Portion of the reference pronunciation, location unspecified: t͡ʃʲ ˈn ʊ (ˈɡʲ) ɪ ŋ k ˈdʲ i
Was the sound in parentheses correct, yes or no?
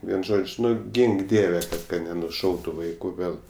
yes